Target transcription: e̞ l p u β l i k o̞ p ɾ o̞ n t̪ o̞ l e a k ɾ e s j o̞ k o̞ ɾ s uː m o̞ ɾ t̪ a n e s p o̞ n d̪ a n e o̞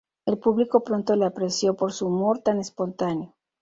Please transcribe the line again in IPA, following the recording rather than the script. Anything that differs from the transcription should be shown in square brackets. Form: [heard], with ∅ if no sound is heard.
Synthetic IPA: e̞ l p u β l i k o̞ p ɾ o̞ n t̪ o̞ l e a [p] ɾ e s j o̞ [p] o̞ ɾ s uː m o̞ ɾ t̪ a n e s p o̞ n [t̪] a n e o̞

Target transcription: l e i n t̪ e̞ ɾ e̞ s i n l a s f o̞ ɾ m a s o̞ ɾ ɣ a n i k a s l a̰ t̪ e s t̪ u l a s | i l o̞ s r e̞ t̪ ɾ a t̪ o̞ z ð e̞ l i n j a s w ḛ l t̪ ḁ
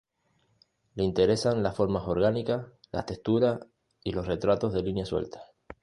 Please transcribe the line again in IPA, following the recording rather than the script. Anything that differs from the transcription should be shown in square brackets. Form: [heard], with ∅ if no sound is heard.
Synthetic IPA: l e i n t̪ e̞ ɾ e̞ s [a] n l a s f o̞ ɾ m a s o̞ ɾ ɣ a n i k a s l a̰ t̪ e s t̪ u [ɾ] a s | i l o̞ s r e̞ t̪ ɾ a t̪ o̞ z ð e̞ l i n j a s w ḛ l t̪ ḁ

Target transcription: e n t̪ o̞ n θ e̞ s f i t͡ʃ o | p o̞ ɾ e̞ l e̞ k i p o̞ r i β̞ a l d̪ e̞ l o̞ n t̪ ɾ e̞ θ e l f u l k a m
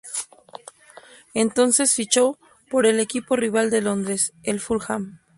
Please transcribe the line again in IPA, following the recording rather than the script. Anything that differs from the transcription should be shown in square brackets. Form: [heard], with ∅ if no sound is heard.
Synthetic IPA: e n t̪ o̞ n [s] e̞ s f i t͡ʃ o | p o̞ ɾ e̞ l e̞ k i p o̞ r i β̞ a l d̪ e̞ l o̞ n [d̪] ɾ e̞ [s] e l f u l [x] a m

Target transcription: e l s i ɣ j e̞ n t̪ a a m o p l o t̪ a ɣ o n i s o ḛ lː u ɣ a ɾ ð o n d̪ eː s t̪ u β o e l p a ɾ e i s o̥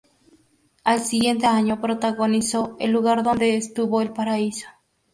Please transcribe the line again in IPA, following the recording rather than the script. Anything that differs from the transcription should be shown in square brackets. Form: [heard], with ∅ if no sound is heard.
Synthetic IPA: [a] l s i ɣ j e̞ n t̪ [e] a [ɲ] o p [ɾ] o t̪ a ɣ o n i s o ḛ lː u ɣ a ɾ ð o n d̪ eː s t̪ u β o e l p a ɾ [a] i s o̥

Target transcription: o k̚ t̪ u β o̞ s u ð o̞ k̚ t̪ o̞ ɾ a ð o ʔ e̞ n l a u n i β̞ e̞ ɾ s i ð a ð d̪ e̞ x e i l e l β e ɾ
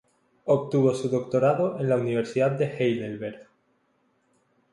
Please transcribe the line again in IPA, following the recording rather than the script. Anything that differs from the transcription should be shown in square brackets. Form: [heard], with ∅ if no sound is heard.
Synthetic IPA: o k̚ t̪ u β o̞ s u ð o̞ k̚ t̪ o̞ ɾ a ð o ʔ e̞ n l a u n i β̞ e̞ ɾ s i ð a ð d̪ e̞ x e [j] l e l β e ɾ

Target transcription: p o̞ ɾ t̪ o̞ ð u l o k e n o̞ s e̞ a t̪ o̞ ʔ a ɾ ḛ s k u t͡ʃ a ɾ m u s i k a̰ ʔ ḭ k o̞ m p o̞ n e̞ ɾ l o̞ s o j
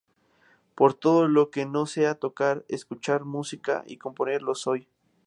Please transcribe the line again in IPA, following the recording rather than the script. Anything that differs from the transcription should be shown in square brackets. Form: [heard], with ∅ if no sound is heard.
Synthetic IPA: p o̞ ɾ t̪ o̞ ð [o] l o k e n o̞ s e̞ a t̪ o̞ [k] a ɾ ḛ s k u t͡ʃ a ɾ m u s i k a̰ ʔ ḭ k o̞ m p o̞ n e̞ ɾ l o̞ s o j

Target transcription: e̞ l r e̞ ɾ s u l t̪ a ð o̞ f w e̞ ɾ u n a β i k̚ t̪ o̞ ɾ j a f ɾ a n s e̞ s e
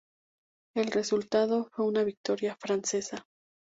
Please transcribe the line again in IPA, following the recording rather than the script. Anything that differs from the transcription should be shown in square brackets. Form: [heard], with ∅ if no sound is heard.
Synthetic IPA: e̞ l r e̞ [∅] s u l t̪ a ð o̞ f w e̞ [∅] u n a β i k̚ t̪ o̞ ɾ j a f ɾ a n s e̞ s [a]

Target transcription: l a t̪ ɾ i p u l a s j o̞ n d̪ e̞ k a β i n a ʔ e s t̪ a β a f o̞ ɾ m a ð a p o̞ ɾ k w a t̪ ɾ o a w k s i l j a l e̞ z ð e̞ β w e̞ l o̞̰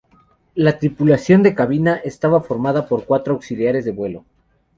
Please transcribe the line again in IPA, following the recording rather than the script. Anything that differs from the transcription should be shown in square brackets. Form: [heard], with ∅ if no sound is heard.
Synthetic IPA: l a t̪ ɾ i p u l a s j o̞ n d̪ e̞ k a β i n a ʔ e s t̪ a β a f o̞ ɾ m a ð a p o̞ ɾ k w a t̪ ɾ o a w k s i l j a [ɾ] e̞ z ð e̞ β w e̞ l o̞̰

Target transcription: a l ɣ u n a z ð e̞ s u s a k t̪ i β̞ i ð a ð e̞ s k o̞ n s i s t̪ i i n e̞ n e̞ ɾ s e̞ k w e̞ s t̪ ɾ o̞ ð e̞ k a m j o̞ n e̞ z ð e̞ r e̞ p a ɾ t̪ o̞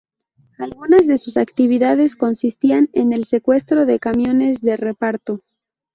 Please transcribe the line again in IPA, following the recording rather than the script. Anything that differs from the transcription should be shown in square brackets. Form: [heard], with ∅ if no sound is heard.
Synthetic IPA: a l ɣ u n a z ð e̞ s u s a k t̪ i β̞ i ð a ð e̞ s k o̞ n s i s t̪ i [a] n e̞ n e̞ [l] s e̞ k w e̞ s t̪ ɾ o̞ ð e̞ k a m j o̞ n e̞ z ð e̞ r e̞ p a ɾ t̪ o̞

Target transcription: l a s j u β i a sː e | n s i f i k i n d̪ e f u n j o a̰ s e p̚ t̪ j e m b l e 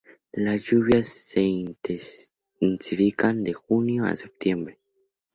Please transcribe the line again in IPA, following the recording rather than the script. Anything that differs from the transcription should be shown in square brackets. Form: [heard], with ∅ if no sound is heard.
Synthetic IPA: l a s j u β [j] a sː e | n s i f i k [a] n d̪ e [x] u n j o a̰ s e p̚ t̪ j e m b [ɾ] e

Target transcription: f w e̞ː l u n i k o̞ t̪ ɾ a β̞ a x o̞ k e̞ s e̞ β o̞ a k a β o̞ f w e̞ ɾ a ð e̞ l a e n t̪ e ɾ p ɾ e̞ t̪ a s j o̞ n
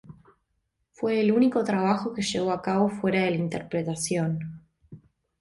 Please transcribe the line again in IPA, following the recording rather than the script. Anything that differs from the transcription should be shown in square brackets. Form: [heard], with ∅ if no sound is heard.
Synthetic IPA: f w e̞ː l u n i k o̞ t̪ ɾ a β̞ a x o̞ k e̞ [ʃ] e̞ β o̞ a k a β o̞ f w e̞ ɾ a ð e̞ l a [i] n t̪ e ɾ p ɾ e̞ t̪ a s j o̞ n

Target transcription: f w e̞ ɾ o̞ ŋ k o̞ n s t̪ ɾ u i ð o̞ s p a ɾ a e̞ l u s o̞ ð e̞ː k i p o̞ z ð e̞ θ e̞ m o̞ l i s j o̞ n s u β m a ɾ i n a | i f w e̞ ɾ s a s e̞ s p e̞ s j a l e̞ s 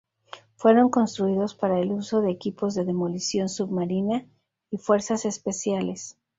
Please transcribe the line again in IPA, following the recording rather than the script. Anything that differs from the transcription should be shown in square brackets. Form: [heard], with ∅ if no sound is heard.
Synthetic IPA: f w e̞ ɾ o̞ ŋ k o̞ n s t̪ ɾ u i ð o̞ s p a ɾ a e̞ l u s o̞ ð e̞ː k i p o̞ z ð e̞ [ð] e̞ m o̞ l i s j o̞ n s u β m a ɾ i n a | i f w e̞ ɾ s a s e̞ s p e̞ s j a l e̞ s

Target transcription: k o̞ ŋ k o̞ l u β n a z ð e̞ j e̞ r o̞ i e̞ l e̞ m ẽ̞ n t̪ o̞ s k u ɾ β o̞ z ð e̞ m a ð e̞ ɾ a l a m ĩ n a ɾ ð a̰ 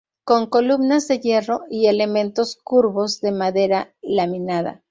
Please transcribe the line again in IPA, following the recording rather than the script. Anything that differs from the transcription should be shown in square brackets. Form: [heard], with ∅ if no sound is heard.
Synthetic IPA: k o̞ ŋ k o̞ l u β n a z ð e̞ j e̞ r o̞ i e̞ l e̞ m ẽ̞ n t̪ o̞ s k u ɾ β o̞ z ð e̞ m a ð e̞ ɾ a l a m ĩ n a [∅] ð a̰

